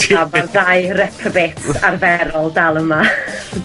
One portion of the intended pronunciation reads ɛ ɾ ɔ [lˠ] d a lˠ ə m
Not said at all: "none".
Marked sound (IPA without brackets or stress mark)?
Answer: lˠ